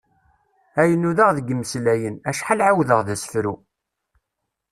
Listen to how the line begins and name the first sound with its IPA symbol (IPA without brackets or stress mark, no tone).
æ